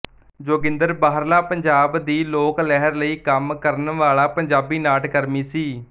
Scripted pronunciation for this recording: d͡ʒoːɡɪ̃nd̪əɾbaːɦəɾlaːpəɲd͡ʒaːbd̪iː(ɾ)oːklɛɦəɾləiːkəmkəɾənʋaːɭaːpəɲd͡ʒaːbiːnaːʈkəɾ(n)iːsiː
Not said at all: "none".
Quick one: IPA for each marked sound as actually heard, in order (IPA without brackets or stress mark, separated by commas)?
l, m